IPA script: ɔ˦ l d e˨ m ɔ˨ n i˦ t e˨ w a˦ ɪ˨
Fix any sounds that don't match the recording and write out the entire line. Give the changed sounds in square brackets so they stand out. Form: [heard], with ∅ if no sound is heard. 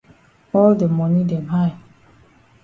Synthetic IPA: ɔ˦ l d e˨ m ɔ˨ n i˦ [d] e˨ [b] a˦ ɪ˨